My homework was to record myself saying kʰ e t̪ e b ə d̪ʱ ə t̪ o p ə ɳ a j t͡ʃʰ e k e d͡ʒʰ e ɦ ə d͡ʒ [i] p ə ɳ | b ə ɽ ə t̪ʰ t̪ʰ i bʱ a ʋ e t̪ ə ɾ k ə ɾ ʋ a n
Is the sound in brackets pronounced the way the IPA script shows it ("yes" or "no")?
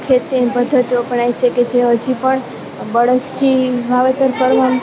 yes